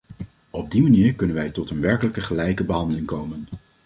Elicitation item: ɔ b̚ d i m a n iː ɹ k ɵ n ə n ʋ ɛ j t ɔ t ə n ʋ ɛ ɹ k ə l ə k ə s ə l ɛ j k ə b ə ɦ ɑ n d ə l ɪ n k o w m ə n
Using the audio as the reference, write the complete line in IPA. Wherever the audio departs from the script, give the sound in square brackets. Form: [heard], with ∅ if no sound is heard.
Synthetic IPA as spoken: ɔ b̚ d i m a n iː ɹ k ɵ n ə n ʋ ɛ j t ɔ t ə n ʋ ɛ ɹ k ə l ə k ə [χ] ə l ɛ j k ə b ə ɦ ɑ n d ə l ɪ [ŋ] k o w m ə n